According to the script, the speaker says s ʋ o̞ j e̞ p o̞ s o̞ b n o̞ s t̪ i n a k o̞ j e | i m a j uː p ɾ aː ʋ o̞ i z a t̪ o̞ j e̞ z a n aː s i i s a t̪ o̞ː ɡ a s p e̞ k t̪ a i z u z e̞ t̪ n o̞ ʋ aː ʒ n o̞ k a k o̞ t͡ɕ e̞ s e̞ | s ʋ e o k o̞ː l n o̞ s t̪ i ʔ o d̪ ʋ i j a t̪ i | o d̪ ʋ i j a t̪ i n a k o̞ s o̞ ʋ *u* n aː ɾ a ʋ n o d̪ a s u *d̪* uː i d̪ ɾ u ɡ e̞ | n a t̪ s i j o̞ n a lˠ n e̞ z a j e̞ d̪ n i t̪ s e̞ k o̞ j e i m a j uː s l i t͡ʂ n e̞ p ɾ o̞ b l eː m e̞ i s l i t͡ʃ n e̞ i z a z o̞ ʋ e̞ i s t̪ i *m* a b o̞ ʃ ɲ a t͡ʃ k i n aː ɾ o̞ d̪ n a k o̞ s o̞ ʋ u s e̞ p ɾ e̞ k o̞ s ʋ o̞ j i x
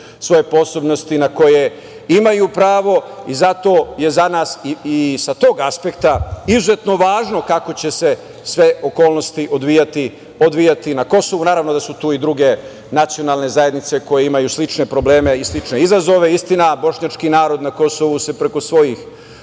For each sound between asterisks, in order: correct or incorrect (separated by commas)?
correct, incorrect, incorrect